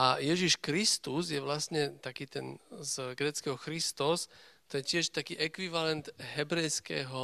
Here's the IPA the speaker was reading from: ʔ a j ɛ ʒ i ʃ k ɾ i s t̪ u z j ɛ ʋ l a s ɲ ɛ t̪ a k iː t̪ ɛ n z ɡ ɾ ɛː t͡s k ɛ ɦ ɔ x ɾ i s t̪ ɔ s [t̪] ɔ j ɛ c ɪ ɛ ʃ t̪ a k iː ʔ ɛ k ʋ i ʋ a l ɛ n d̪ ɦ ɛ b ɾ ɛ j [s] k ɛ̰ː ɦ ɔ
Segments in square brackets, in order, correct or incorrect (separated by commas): correct, correct